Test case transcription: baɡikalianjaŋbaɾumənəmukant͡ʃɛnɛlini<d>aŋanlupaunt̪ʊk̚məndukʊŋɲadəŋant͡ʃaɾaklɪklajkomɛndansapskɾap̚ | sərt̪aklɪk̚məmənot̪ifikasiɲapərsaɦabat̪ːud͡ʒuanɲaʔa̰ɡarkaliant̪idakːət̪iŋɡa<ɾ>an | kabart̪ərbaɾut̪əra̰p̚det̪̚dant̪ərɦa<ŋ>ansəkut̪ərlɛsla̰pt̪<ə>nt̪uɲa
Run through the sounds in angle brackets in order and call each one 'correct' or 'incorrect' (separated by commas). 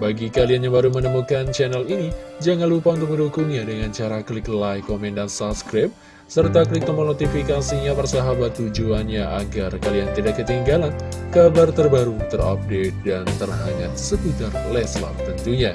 incorrect, incorrect, correct, correct